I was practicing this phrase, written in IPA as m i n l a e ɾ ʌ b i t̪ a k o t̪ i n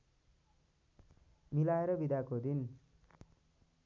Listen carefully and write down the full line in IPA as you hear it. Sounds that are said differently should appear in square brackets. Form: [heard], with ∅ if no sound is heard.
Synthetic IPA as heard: m i [∅] l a e ɾ ʌ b i [d̪] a k o [d̪] i n

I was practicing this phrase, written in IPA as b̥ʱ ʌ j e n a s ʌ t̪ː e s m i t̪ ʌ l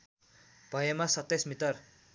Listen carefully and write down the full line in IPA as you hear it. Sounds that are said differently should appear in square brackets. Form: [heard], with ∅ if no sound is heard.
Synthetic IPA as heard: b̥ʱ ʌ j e [m] a s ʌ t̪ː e s m i t̪ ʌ [r]

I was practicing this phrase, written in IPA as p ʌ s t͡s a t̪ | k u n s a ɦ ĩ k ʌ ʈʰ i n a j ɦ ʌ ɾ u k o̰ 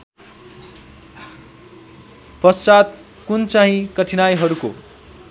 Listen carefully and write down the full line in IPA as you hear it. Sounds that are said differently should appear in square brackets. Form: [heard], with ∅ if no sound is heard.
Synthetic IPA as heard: p ʌ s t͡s a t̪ | k u n [t͡s] a ɦ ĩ k ʌ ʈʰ i n a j ɦ ʌ ɾ u k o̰

